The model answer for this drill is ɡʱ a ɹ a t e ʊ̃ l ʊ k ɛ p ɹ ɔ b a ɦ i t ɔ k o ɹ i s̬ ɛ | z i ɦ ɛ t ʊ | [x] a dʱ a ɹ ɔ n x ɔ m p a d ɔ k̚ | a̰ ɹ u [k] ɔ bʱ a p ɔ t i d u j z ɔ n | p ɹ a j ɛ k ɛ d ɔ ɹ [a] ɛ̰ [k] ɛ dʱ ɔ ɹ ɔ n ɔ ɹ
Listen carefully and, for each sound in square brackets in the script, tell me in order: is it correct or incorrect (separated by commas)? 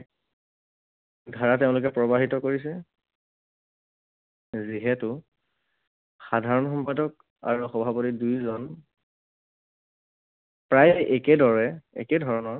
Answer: correct, incorrect, incorrect, correct